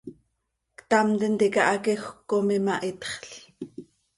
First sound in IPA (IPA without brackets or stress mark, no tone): k